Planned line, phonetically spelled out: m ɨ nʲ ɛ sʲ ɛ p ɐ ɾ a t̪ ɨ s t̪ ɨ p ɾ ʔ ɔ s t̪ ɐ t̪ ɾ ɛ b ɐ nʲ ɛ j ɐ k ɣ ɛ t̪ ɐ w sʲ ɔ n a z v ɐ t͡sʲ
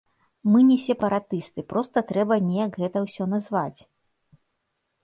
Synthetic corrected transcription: m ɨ nʲ ɛ sʲ ɛ p ɐ ɾ a t̪ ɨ s t̪ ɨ p ɾ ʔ ɔ s t̪ ɐ t̪ ɾ ɛ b ɐ nʲ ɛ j ɐ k ɣ ɛ t̪ ɐ w sʲ ɔ n a z v a t͡sʲ